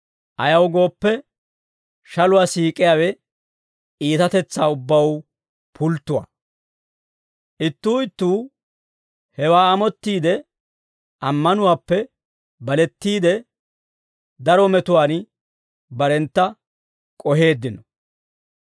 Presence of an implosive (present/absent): absent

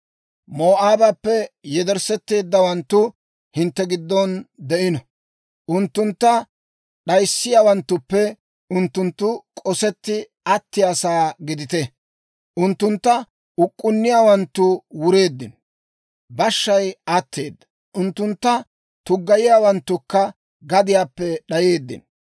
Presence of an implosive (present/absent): present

